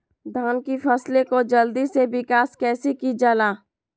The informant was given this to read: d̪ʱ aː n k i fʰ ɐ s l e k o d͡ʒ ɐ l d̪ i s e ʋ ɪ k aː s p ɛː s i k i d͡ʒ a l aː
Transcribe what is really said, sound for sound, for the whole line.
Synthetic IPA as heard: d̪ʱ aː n k i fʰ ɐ s l e k o d͡ʒ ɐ l d̪ i s e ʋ ɪ k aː s k ɛː s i k i d͡ʒ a l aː